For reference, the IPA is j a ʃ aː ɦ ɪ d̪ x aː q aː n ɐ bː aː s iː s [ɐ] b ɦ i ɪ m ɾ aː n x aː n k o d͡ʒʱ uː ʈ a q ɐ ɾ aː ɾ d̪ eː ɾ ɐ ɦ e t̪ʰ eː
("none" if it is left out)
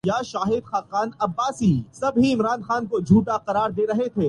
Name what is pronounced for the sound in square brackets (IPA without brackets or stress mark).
ɐ